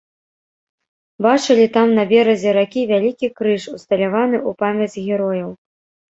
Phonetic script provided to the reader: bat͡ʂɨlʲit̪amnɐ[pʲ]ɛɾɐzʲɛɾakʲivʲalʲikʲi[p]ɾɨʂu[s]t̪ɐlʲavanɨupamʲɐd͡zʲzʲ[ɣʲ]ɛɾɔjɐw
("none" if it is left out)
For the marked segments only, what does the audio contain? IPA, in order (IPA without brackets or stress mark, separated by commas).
bʲ, k, s, ɣʲ